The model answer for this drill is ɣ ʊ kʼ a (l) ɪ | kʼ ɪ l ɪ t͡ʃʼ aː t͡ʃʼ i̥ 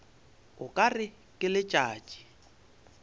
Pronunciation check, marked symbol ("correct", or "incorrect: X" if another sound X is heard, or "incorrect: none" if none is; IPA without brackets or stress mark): incorrect: r